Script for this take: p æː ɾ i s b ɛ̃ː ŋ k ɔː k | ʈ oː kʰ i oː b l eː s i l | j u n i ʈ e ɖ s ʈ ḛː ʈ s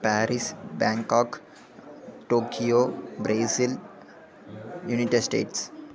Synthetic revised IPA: p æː ɾ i s b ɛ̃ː ŋ k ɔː k | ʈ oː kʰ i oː b ɾ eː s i l | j u n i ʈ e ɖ s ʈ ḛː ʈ s